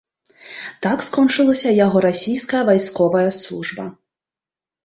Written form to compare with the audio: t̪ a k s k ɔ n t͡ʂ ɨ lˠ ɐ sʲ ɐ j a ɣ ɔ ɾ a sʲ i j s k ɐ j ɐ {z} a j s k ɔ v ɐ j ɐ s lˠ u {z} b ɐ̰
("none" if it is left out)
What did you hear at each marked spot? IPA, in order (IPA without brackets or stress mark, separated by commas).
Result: v, ʐ